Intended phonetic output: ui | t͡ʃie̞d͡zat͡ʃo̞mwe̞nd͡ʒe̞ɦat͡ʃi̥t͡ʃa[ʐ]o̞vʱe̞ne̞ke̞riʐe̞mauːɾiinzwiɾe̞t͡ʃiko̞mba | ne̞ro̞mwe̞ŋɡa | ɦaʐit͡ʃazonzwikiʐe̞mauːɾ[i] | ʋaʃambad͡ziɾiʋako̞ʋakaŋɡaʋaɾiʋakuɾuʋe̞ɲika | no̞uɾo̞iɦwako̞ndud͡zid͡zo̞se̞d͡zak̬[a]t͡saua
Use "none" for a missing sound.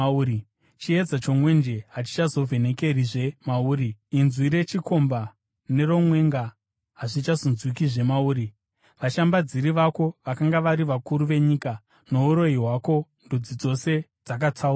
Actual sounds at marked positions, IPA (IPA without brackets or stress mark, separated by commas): z, i, a